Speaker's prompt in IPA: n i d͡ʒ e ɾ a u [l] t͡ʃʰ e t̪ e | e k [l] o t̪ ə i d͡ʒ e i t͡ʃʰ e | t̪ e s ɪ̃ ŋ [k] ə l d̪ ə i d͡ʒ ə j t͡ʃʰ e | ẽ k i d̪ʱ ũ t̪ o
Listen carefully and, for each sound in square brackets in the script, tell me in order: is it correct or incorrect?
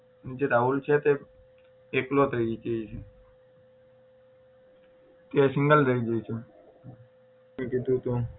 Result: correct, correct, incorrect: ɡ

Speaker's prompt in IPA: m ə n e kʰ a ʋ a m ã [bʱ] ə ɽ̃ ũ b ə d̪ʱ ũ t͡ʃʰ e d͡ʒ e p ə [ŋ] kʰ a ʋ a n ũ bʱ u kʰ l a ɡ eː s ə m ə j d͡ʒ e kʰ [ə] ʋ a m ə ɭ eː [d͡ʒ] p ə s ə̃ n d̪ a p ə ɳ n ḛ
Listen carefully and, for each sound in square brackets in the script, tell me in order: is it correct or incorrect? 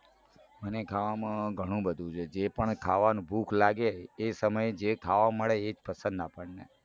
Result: incorrect: ɡʱ, incorrect: ɳ, incorrect: a, correct

